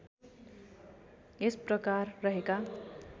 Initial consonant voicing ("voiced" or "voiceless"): voiceless